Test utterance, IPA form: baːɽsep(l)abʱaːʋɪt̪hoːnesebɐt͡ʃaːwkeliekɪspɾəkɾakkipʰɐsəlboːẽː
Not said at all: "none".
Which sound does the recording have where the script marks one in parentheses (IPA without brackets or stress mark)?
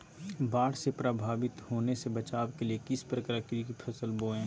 ɾ